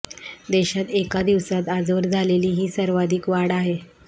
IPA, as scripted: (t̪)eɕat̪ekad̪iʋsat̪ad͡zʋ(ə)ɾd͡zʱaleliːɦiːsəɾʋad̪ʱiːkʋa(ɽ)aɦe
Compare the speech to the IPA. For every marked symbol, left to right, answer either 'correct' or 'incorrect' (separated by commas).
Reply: incorrect, correct, correct